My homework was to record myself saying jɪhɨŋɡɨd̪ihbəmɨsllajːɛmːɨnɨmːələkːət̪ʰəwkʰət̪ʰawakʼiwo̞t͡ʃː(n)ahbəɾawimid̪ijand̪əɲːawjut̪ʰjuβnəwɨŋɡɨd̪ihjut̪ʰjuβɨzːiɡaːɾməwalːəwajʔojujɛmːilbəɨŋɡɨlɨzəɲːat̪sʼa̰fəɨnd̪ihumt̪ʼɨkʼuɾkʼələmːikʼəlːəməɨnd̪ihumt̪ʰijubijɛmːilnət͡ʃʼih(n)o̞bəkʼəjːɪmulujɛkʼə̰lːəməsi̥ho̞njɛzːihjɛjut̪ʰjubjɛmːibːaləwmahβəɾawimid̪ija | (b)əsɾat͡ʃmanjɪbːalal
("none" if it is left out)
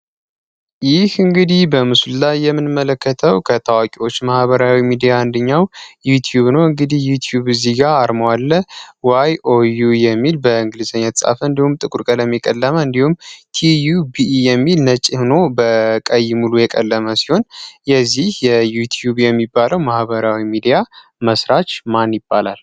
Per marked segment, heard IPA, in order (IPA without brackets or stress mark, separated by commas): m, n, m